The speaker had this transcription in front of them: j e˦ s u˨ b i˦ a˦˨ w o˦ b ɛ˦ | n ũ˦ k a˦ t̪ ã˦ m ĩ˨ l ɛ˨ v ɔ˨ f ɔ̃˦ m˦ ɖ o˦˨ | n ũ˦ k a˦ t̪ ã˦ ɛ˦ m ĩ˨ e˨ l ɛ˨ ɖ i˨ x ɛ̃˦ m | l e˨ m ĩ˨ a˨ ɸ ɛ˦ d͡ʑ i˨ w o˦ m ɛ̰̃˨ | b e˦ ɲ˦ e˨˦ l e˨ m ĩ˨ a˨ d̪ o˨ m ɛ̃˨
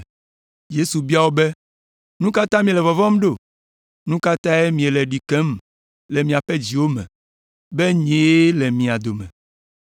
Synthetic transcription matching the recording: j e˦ s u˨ b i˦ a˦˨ w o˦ b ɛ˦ | n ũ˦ k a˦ t̪ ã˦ m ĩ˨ l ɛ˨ v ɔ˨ v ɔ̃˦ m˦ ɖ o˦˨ | n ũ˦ k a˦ t̪ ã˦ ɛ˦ m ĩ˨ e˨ l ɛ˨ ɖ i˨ k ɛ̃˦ m | l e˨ m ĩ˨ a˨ ɸ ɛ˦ d͡ʑ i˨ w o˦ m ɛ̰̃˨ | b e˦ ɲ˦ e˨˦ l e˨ m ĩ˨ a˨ d̪ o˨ m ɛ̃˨